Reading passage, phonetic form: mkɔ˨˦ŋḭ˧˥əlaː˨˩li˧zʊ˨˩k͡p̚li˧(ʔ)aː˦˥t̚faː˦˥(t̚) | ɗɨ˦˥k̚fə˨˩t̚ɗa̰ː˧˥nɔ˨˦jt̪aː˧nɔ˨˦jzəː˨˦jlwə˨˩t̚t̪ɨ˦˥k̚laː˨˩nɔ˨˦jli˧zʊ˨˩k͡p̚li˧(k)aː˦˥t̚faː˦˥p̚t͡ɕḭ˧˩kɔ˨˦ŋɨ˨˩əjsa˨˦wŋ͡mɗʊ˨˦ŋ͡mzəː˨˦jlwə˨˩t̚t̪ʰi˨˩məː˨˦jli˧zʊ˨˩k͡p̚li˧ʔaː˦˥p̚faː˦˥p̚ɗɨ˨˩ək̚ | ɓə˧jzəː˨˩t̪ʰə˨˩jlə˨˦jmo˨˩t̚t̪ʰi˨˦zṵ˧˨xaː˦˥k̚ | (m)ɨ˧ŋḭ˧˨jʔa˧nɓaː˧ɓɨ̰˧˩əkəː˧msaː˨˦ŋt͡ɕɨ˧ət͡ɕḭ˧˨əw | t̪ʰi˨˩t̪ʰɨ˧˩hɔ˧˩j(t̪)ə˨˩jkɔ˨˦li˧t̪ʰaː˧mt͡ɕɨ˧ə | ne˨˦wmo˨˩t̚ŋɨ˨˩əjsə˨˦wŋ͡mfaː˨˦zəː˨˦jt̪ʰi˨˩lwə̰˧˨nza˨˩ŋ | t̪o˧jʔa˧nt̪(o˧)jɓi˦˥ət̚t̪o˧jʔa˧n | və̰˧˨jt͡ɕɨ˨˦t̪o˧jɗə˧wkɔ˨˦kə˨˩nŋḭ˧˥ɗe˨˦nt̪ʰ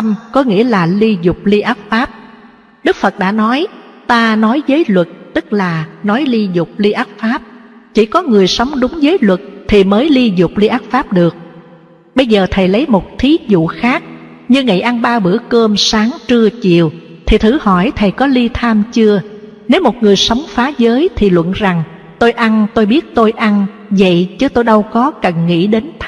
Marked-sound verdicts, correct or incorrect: correct, incorrect: p̚, incorrect: ʔ, incorrect: ɲ, incorrect: t̪ʰ, correct

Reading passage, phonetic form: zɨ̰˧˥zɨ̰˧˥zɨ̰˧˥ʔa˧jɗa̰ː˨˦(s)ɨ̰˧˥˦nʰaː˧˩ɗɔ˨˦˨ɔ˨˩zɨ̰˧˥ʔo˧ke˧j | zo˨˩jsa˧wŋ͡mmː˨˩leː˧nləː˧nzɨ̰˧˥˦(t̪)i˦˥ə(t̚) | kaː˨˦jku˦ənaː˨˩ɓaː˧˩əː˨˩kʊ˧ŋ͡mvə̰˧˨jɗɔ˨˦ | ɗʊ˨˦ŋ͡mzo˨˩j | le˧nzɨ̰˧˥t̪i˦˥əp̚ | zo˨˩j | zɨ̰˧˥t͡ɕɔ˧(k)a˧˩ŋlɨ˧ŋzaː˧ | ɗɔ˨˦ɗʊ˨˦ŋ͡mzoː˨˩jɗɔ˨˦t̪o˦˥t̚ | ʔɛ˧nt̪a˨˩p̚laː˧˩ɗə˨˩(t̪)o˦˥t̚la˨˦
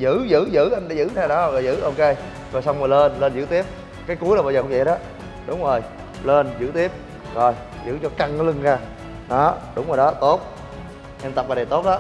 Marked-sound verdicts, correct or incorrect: incorrect: z, correct, incorrect: p̚, correct, correct

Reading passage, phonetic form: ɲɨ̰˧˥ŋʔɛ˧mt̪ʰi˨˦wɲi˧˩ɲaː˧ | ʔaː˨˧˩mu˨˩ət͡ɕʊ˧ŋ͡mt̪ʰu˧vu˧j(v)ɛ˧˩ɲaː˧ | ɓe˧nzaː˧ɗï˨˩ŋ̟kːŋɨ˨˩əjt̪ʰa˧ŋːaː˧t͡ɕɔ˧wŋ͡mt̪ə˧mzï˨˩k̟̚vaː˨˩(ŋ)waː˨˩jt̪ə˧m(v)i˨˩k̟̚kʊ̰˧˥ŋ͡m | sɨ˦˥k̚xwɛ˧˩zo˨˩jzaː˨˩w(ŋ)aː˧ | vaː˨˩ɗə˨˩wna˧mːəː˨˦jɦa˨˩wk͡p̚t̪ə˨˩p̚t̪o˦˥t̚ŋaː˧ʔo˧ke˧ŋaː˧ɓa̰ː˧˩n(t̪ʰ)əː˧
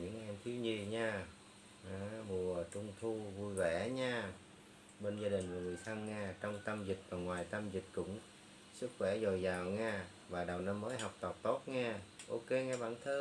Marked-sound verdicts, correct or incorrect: correct, correct, incorrect: z, correct, correct

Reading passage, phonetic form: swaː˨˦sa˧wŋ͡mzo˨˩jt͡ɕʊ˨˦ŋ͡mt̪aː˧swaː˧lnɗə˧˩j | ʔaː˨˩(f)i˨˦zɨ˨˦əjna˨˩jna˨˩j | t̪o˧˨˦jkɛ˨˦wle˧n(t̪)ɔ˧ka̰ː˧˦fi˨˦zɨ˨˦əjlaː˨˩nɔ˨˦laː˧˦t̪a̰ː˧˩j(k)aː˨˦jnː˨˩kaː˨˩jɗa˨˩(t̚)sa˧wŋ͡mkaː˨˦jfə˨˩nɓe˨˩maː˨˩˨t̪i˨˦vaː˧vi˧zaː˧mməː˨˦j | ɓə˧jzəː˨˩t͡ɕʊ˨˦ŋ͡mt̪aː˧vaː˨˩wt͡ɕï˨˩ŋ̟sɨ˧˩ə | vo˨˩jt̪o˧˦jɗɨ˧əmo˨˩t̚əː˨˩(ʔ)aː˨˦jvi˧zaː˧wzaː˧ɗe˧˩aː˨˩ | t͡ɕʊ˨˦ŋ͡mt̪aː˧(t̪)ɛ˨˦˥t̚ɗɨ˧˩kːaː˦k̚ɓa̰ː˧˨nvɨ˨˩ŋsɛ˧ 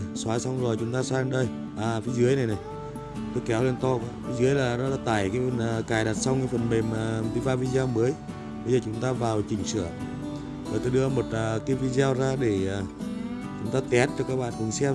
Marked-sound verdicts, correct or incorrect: correct, correct, correct, correct, incorrect: k, correct

